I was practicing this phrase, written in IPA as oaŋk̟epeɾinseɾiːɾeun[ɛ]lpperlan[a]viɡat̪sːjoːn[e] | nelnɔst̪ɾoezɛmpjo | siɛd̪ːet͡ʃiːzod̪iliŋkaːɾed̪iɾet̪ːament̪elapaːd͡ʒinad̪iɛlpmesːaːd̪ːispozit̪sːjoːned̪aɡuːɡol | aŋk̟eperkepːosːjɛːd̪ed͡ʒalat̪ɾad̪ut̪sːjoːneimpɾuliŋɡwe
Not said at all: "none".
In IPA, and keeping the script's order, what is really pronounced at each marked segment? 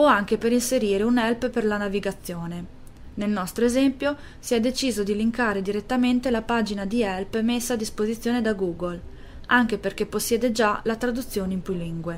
ɛ, a, e

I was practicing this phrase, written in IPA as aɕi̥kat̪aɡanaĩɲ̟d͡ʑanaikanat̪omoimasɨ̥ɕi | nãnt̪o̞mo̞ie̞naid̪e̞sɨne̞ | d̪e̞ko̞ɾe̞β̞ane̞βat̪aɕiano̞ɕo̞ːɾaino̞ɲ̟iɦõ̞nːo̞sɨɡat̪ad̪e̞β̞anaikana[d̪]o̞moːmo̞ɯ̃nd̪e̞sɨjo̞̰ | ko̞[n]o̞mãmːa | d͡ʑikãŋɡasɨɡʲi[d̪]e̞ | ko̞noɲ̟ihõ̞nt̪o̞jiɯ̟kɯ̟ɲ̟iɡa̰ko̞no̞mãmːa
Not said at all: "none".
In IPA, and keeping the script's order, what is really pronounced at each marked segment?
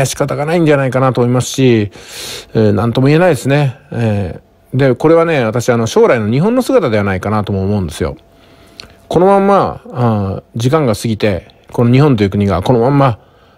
t̪, n, t̪

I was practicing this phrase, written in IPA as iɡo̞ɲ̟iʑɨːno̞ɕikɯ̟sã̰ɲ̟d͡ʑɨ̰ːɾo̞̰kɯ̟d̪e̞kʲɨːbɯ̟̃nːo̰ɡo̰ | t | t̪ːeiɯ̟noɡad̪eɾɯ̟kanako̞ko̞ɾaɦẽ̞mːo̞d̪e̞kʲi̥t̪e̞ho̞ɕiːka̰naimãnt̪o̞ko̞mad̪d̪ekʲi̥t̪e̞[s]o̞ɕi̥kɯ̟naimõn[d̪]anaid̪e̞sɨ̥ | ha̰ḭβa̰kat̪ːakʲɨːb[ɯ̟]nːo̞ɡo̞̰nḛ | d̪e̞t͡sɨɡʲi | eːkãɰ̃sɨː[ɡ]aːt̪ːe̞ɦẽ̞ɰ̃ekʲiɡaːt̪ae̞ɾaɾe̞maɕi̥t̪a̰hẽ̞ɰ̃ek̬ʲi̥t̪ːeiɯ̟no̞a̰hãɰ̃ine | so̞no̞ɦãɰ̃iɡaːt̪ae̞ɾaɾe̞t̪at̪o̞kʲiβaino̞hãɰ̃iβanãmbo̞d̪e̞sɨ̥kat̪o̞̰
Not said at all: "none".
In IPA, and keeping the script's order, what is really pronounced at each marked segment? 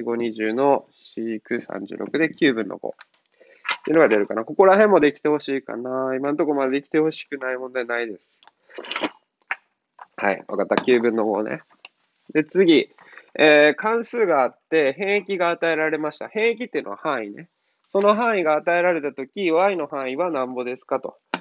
h, d̪, ɯ̟̃, ɡ

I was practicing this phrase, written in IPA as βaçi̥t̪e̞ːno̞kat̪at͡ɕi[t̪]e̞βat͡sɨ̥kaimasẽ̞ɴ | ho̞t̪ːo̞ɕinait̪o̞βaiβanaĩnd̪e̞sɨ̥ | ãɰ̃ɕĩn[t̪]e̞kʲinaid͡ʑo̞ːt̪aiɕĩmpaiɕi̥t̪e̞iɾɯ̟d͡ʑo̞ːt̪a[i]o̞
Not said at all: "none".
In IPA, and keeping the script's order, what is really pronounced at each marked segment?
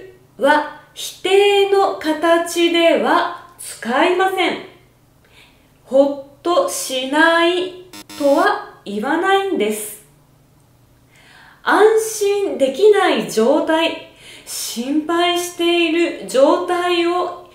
d̪, d̪, i

